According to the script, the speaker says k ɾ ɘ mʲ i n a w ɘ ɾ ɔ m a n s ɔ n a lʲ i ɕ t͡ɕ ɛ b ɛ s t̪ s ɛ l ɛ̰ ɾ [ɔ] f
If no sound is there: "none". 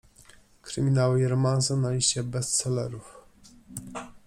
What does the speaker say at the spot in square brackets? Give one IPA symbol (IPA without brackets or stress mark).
u